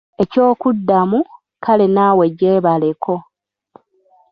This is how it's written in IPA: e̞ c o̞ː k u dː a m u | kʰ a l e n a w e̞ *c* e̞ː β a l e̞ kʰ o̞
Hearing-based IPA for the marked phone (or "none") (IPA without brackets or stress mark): ɟ